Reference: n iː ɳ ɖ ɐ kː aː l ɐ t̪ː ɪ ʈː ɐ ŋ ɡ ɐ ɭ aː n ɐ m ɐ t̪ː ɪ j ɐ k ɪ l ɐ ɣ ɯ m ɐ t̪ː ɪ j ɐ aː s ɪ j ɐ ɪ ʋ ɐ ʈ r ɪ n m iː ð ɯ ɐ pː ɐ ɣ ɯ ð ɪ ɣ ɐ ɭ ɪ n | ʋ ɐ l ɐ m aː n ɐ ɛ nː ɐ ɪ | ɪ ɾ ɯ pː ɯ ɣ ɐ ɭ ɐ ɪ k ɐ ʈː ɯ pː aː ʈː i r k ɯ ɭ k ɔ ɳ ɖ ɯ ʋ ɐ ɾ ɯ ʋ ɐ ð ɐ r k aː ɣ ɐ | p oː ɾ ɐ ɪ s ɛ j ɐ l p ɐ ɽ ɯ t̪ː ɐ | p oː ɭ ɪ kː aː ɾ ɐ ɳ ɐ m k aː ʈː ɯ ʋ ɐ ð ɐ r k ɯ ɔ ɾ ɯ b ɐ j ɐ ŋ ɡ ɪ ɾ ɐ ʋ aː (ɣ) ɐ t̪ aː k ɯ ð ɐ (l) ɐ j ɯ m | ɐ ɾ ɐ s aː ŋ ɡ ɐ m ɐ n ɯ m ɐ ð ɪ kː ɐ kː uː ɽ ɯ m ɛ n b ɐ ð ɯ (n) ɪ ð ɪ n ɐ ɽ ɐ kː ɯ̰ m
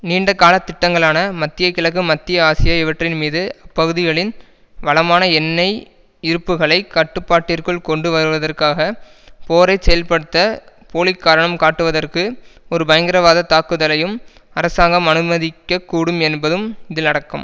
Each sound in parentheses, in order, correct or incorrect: incorrect: ð, correct, incorrect: m

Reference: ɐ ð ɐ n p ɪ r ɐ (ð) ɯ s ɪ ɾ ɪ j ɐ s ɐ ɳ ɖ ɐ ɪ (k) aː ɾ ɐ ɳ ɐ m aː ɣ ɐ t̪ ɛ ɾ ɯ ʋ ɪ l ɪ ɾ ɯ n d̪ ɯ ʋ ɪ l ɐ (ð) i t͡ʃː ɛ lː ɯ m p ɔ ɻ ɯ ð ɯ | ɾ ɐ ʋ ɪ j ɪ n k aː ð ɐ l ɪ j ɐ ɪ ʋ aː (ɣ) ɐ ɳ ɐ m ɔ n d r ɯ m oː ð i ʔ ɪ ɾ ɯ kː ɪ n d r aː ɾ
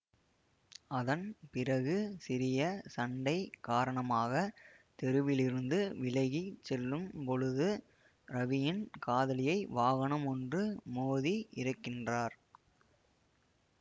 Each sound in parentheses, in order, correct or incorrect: incorrect: ɣ, correct, incorrect: ɣ, correct

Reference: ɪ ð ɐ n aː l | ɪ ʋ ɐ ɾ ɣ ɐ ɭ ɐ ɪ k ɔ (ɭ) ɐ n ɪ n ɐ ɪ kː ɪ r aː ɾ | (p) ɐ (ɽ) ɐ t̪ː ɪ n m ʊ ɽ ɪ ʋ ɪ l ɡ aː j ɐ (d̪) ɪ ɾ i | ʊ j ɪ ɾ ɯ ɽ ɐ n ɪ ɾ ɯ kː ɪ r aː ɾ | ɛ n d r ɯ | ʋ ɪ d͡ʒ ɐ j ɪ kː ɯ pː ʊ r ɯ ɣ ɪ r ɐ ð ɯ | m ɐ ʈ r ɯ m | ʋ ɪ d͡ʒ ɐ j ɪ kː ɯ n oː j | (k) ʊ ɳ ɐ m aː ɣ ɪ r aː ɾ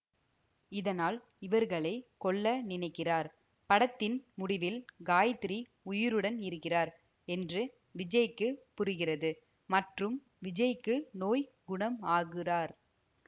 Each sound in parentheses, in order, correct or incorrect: incorrect: ɭː, correct, correct, incorrect: t̪, incorrect: ɡ

